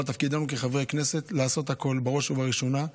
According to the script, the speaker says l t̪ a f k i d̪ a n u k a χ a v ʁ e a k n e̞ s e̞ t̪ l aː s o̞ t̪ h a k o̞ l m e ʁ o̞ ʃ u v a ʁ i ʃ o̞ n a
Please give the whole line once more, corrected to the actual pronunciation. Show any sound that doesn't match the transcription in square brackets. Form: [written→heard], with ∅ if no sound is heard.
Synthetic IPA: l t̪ a f k i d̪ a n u k [a→e] χ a v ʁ e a k n e̞ s e̞ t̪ l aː s o̞ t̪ h a k o̞ l [m→b] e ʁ o̞ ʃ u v a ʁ i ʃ o̞ n a